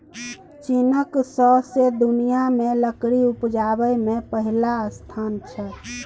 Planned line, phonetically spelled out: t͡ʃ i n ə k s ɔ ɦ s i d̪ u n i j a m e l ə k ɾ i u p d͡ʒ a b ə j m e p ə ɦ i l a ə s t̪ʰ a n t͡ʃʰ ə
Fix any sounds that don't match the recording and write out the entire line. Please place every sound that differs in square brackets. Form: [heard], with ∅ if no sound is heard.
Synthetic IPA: t͡ʃ i n ə k s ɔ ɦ s [e] d̪ u n i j a m e l ə k ɾ i u p d͡ʒ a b ə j m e p ə ɦ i l a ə s t̪ʰ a n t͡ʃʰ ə